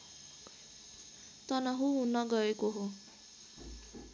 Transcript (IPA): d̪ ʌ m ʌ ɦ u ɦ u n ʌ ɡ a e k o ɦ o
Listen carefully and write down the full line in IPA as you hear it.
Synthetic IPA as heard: t̪ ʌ n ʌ ɦ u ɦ u n ʌ ɡ ʌ e k o ɦ o